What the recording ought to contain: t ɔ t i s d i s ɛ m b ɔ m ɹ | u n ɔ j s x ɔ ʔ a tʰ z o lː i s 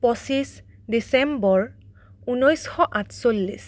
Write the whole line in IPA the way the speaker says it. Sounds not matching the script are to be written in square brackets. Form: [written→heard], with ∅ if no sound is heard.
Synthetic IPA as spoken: [t→p] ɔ [t→s] i s d i s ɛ m b ɔ [m→∅] ɹ | u n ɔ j s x ɔ ʔ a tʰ [z→s] o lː i s